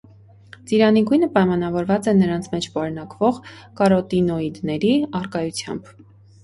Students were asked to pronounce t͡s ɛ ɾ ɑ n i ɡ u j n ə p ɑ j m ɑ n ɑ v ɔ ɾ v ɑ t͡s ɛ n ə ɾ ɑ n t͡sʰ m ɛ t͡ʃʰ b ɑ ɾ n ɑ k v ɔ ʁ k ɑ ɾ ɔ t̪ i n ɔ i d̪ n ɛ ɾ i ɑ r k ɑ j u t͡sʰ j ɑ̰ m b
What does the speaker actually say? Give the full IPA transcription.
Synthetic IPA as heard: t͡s i ɾ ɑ n i ɡ u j n ə p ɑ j m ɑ n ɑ v ɔ ɾ v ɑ t͡s ɛ n ə ɾ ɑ n t͡sʰ m ɛ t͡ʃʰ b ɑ ɾ n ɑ k v ɔ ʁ k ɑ ɾ ɔ t̪ i n ɔ i d̪ n ɛ ɾ i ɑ r k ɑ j u t͡sʰ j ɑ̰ m b